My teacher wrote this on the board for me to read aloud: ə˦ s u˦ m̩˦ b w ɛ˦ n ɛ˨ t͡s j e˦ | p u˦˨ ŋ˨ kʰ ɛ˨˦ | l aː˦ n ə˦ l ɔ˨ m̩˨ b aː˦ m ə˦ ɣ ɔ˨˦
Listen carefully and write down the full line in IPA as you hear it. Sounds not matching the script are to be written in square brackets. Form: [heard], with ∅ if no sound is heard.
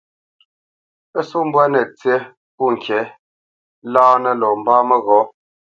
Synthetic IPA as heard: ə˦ s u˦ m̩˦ b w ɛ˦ n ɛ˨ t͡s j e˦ | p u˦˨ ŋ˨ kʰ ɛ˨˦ | l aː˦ n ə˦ l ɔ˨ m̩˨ b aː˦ m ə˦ ɣ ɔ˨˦

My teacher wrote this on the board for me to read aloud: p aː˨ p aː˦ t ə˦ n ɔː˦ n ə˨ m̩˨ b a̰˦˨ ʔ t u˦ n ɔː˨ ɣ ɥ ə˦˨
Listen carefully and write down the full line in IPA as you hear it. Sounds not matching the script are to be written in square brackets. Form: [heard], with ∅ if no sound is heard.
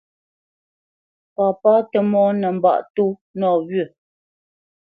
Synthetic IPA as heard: p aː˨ p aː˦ t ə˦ [m] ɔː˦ n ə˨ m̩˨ b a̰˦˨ ʔ t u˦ n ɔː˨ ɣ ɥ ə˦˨

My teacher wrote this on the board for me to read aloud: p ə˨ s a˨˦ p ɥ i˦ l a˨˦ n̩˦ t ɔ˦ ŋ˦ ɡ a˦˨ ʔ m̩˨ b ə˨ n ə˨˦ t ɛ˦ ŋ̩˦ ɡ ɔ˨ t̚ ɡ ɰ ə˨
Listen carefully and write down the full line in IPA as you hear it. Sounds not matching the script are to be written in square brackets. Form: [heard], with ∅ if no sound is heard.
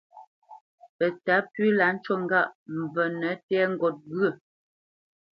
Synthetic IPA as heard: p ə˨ [t] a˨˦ p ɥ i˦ l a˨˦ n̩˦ [t͡ʃ] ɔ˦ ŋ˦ ɡ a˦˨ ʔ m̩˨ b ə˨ n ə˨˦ t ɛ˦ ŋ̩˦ ɡ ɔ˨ t̚ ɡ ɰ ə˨

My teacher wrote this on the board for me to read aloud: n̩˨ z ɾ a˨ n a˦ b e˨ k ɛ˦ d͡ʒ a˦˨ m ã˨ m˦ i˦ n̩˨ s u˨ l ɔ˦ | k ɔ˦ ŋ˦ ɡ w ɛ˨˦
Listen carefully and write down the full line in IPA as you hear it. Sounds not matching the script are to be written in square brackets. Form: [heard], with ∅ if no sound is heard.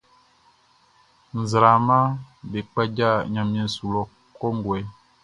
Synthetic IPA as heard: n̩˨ z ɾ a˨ [m] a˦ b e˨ [k͡p] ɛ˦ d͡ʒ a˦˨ [ɲ] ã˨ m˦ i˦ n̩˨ s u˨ l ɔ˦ | k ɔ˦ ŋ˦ ɡ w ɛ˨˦

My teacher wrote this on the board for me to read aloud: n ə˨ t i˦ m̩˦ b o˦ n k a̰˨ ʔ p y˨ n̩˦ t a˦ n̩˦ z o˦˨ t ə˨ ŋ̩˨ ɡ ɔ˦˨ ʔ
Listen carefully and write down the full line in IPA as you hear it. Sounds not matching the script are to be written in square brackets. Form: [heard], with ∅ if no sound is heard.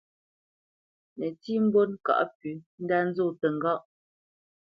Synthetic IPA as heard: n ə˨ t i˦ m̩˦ b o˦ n k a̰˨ ʔ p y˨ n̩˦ [d] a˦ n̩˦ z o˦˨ t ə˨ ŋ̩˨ ɡ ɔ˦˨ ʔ

